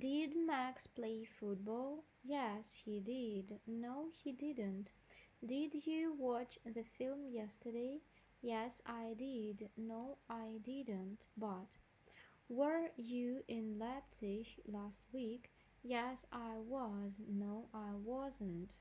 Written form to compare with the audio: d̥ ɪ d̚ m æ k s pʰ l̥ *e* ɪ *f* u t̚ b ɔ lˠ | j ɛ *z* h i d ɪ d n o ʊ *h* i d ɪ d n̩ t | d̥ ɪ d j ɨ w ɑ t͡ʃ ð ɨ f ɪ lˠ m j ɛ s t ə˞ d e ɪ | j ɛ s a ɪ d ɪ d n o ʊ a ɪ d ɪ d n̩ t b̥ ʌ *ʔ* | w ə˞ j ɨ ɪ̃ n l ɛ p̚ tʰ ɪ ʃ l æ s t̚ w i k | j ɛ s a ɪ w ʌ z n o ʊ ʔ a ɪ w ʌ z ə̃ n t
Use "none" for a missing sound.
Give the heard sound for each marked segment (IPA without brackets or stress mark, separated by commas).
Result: e, f, s, h, t